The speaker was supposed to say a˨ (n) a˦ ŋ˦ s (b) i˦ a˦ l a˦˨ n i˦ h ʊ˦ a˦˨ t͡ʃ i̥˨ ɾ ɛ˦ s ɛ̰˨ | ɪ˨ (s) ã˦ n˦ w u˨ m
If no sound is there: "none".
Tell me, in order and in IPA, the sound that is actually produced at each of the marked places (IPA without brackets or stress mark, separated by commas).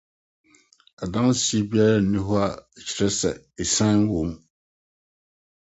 d, b, s